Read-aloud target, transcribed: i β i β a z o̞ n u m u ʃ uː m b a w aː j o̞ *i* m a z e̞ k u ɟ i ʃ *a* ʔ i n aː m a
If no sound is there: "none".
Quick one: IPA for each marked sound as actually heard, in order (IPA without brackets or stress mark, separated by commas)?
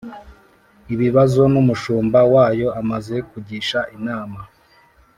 a, a